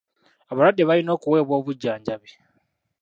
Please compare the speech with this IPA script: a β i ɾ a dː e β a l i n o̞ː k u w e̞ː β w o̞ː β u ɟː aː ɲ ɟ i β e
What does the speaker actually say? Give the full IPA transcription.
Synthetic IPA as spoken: a β a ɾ a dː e β a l i n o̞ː k u w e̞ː β w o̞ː β u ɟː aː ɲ ɟ a β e